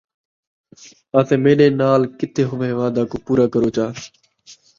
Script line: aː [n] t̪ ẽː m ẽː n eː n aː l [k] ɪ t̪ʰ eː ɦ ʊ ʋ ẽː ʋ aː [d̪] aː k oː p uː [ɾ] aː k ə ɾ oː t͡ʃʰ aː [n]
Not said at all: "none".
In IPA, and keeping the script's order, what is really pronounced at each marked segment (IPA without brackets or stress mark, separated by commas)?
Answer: none, k, d̪, ɾ, none